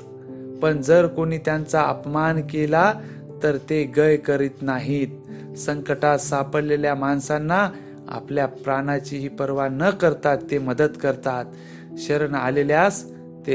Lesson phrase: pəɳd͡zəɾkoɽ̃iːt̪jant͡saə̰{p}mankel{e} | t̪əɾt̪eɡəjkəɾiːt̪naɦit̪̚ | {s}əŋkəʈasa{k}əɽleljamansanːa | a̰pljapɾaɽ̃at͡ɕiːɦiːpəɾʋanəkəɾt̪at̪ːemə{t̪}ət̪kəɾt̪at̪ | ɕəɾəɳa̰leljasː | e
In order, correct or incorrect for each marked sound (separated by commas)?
correct, incorrect, correct, incorrect, incorrect